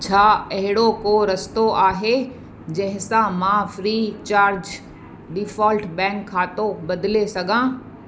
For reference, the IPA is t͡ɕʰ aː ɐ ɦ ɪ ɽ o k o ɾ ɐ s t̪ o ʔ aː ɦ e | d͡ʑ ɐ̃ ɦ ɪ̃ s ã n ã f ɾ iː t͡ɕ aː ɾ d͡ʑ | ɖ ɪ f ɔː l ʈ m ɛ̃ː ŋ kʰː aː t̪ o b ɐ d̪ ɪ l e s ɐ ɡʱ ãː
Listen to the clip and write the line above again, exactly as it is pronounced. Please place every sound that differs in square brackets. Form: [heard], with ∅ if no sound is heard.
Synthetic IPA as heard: t͡ɕʰ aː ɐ ɦ ɪ ɽ o k o ɾ ɐ s t̪ o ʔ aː ɦ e | d͡ʑ ɐ̃ ɦ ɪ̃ s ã [m] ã f ɾ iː t͡ɕ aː ɾ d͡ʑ | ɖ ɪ f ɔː l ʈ [b] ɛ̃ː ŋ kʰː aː t̪ o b ɐ d̪ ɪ l e s ɐ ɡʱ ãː